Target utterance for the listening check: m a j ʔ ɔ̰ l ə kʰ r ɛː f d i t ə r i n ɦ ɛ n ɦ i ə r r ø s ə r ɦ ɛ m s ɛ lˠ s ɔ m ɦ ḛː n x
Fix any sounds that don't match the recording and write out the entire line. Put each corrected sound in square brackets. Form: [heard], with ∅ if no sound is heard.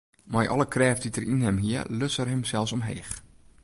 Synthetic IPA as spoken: m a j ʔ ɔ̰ l ə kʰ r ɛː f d i t ə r i n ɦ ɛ [m] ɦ i ə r [l] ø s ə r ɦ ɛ m s ɛ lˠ s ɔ m ɦ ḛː [∅] x